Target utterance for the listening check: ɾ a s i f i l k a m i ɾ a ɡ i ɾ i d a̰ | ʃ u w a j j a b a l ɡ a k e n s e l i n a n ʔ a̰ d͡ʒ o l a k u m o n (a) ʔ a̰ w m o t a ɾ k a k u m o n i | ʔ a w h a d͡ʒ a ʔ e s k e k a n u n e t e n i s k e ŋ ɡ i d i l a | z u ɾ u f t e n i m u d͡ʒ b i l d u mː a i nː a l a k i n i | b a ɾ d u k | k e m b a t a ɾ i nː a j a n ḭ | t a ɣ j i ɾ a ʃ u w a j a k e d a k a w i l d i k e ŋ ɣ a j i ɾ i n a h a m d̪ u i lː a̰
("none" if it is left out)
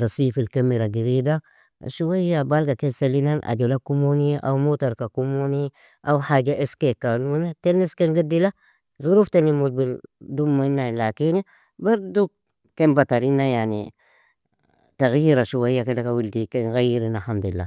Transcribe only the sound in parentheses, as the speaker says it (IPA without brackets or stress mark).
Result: i